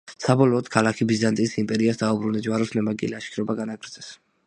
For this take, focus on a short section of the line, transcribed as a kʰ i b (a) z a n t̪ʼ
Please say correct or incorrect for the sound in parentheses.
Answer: incorrect